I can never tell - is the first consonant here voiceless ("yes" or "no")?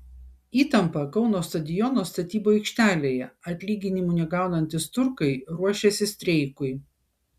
yes